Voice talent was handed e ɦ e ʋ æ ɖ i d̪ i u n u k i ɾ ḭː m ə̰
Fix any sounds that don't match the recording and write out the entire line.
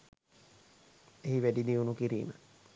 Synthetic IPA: e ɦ i ʋ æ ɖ i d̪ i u n u k i ɾ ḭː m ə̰